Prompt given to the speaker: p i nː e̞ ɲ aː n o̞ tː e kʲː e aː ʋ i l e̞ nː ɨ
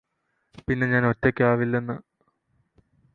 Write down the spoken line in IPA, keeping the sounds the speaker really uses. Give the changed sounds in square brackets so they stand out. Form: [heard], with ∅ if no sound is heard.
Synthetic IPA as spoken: p i nː e̞ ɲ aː n o̞ tː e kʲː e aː ʋ i [lː] e̞ nː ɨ